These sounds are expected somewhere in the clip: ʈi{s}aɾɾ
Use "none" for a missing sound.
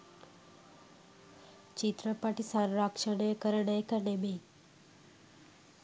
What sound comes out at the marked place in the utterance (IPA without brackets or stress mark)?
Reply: s